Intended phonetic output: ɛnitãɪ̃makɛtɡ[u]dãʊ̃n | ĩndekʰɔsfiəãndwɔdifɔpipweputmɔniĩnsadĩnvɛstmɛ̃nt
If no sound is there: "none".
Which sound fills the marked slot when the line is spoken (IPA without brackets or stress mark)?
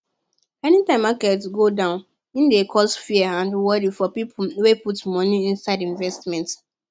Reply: o